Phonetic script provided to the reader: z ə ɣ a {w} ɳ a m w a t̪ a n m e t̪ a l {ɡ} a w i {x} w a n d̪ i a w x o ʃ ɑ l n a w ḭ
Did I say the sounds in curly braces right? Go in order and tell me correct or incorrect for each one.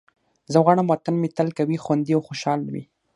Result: incorrect, incorrect, correct

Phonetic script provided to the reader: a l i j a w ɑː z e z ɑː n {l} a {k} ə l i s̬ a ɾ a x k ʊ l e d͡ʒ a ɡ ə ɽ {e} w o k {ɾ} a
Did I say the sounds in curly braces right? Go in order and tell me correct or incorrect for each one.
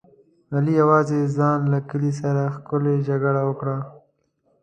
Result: correct, correct, incorrect, incorrect

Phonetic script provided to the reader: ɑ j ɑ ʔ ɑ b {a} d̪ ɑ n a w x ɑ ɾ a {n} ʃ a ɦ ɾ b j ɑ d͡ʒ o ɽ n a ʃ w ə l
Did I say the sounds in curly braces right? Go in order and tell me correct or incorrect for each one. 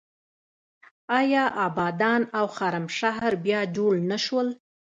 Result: incorrect, incorrect

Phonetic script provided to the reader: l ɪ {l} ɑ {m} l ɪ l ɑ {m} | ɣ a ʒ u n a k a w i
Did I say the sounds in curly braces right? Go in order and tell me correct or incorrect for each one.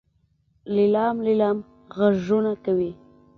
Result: correct, correct, correct

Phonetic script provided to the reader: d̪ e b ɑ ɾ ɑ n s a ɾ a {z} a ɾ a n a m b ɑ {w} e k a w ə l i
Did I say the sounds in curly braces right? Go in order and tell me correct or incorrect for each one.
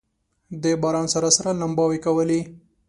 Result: incorrect, correct

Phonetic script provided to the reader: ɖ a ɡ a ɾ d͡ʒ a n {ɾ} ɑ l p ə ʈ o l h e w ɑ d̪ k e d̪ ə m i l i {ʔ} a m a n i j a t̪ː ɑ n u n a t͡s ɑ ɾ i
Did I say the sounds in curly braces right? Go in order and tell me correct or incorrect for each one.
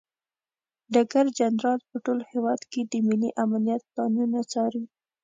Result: correct, correct

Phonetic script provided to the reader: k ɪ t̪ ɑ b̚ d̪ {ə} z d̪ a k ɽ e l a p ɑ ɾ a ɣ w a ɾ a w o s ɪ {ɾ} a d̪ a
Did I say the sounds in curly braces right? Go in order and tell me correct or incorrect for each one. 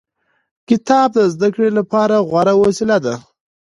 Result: correct, incorrect

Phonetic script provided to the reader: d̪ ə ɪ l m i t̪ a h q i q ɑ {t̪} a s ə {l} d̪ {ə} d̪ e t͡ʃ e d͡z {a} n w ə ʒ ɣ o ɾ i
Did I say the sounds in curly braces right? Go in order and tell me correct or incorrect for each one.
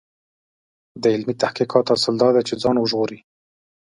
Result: correct, correct, incorrect, incorrect

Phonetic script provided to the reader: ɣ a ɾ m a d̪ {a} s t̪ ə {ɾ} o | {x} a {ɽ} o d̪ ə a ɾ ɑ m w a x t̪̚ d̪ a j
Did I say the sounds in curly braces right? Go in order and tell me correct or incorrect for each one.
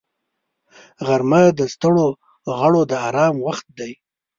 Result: incorrect, incorrect, incorrect, correct

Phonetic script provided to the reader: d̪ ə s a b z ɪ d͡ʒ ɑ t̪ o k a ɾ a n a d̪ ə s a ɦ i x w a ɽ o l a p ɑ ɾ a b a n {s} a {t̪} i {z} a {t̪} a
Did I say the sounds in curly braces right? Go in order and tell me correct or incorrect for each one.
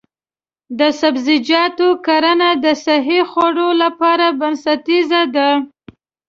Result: correct, correct, correct, incorrect

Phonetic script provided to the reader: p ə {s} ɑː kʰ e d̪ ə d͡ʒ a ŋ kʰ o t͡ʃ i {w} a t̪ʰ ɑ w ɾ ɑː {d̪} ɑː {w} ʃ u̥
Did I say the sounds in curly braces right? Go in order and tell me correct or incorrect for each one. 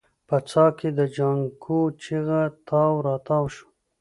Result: incorrect, incorrect, incorrect, correct

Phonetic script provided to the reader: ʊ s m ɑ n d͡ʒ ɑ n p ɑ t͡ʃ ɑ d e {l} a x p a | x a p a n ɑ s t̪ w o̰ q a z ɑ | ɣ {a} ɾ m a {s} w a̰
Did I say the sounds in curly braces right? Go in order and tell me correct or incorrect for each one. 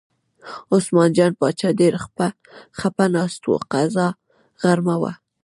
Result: incorrect, correct, incorrect

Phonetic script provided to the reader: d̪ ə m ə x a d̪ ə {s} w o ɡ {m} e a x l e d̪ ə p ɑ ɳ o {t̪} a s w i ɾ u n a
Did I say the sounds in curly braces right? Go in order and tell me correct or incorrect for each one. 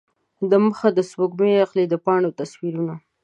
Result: correct, correct, correct

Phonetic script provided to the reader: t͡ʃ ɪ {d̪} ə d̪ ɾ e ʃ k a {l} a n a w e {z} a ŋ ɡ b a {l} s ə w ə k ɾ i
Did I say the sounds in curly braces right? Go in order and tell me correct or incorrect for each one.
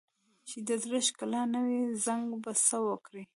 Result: correct, correct, correct, incorrect

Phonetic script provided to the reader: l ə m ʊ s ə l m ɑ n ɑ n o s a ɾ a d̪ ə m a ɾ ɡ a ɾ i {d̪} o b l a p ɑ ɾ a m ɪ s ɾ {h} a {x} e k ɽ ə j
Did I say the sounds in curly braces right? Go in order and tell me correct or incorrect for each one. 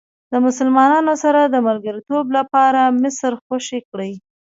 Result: incorrect, incorrect, incorrect

